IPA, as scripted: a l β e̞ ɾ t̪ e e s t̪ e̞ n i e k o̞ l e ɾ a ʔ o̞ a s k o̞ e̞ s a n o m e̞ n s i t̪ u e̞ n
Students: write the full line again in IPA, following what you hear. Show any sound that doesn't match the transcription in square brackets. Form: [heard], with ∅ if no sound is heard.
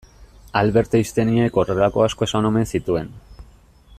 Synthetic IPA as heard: a l β e̞ ɾ t̪ e [i] s t̪ e̞ n i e k o̞ [r] e [l] a [k] o̞ a s k o̞ e̞ s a n o m e̞ n s i t̪ u e̞ n